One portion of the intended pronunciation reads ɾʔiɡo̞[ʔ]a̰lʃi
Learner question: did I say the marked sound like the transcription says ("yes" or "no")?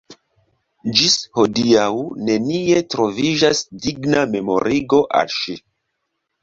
yes